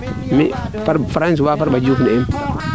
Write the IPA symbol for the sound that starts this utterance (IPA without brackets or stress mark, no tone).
m